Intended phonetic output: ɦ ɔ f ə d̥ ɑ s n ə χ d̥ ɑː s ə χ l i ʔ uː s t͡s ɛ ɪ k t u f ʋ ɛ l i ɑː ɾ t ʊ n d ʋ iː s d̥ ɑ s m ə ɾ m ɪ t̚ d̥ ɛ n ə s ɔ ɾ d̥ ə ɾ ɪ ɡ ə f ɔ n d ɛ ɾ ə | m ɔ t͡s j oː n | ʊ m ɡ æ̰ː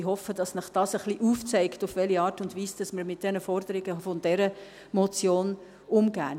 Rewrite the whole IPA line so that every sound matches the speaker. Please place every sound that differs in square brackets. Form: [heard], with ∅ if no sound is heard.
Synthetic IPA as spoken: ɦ ɔ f ə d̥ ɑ s n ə χ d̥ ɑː s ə χ l i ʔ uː [f] t͡s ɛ ɪ k t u f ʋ ɛ l i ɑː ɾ t ʊ n d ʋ iː s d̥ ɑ s m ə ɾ m ɪ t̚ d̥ ɛ n ə [f] ɔ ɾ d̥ ə ɾ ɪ ɡ ə f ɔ n d ɛ ɾ ə | m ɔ t͡s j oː n | ʊ m ɡ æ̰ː